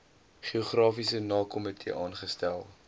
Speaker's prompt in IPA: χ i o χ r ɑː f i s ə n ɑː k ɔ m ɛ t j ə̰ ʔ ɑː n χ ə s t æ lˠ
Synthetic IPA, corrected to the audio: χ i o χ r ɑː f i s ə n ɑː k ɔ m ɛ t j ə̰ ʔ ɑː n χ ə s t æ lˠ